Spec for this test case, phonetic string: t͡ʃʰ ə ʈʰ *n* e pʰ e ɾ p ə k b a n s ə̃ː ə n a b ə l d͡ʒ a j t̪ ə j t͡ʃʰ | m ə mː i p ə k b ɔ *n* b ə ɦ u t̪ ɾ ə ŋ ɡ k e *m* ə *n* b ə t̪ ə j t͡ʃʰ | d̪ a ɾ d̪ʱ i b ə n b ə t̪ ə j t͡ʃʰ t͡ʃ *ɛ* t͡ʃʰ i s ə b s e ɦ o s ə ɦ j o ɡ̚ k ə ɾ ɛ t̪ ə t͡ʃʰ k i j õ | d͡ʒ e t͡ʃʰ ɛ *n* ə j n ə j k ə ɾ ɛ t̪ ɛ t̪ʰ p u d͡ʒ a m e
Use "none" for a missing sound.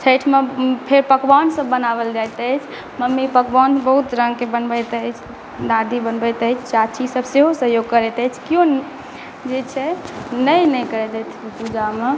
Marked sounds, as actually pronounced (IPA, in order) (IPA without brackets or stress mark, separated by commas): m, n, b, n, a, n